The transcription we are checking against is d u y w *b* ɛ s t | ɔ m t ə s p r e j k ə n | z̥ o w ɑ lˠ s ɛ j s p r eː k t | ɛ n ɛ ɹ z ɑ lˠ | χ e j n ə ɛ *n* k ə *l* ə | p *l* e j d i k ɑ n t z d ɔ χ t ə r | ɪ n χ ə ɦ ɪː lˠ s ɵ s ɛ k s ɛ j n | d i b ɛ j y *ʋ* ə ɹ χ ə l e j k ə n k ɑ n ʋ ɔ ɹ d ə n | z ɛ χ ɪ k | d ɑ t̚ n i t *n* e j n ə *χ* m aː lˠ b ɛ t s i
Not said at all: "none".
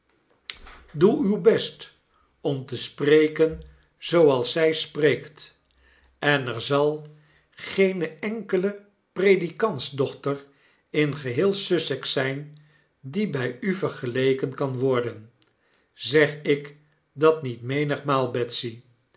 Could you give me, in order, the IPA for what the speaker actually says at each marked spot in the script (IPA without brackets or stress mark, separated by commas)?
b, ŋ, l, r, v, m, χ